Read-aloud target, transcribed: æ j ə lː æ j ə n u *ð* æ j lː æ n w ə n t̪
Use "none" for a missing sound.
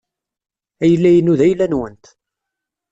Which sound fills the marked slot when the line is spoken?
ð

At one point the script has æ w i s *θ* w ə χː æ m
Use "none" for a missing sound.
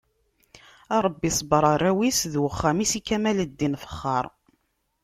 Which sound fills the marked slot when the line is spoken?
ð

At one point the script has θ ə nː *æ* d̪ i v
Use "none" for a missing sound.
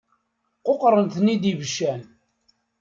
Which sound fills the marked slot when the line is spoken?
i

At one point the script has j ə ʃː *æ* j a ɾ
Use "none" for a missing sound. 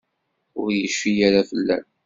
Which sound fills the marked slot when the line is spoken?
i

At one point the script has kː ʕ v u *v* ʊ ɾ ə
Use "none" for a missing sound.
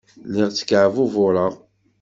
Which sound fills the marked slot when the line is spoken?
v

